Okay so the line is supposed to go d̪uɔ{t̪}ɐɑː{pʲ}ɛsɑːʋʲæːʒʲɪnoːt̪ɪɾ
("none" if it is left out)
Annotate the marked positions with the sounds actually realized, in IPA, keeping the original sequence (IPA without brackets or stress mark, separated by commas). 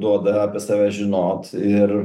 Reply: d̪, pʲ